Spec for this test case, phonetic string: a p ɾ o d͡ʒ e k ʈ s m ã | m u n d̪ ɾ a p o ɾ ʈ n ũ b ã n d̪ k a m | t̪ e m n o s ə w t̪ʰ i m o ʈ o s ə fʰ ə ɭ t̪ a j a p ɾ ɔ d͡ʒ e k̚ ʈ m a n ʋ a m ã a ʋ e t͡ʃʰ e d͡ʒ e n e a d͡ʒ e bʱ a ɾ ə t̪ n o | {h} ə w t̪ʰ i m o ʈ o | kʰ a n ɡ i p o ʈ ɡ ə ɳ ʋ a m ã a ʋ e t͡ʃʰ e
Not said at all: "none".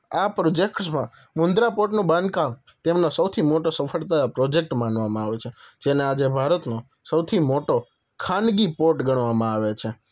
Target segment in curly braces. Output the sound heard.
s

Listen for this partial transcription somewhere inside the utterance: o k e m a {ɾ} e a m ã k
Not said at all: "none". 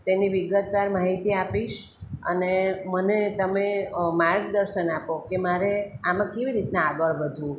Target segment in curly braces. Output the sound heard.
ɾ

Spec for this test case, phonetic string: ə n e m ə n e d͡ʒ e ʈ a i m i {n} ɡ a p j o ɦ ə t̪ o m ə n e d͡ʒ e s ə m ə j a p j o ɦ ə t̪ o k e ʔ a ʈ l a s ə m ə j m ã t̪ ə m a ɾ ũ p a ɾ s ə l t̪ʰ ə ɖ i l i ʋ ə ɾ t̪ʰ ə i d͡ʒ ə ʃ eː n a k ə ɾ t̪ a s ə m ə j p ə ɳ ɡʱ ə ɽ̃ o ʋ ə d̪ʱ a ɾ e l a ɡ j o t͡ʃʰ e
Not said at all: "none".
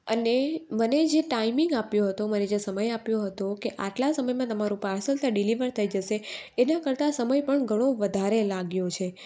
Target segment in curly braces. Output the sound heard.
ŋ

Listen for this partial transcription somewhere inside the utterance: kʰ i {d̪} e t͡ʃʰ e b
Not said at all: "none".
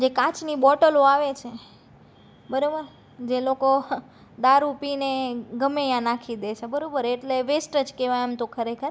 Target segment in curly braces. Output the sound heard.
d̪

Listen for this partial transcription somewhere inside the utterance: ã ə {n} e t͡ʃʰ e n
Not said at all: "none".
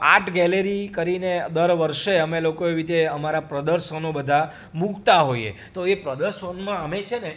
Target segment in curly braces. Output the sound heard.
m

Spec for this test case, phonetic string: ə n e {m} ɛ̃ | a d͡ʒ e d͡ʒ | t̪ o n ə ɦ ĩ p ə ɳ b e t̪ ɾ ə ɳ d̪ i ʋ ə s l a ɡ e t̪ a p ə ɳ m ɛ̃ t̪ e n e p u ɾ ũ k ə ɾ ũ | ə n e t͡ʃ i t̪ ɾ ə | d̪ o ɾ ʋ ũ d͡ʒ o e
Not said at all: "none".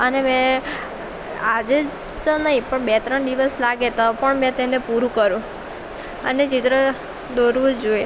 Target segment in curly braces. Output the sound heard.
m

